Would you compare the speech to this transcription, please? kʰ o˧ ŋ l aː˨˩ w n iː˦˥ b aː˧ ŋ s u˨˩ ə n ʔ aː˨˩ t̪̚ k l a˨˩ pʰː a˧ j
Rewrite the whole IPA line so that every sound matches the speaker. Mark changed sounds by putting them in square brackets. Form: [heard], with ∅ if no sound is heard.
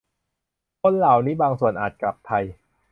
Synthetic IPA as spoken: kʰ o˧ [n] l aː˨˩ w n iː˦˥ b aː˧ ŋ s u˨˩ ə n ʔ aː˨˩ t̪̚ k l a˨˩ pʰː a˧ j